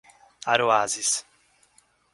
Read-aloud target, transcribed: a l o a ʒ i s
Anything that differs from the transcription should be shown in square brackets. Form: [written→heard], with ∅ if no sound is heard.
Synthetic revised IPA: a [l→ɾ] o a [ʒ→z] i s